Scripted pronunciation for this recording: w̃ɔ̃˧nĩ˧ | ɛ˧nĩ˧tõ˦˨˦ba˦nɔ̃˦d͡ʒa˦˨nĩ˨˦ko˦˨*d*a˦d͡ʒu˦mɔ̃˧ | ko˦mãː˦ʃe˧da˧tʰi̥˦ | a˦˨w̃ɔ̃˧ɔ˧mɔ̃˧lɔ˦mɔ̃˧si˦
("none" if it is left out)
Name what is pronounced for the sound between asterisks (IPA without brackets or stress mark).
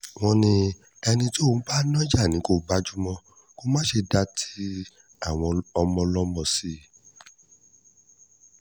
b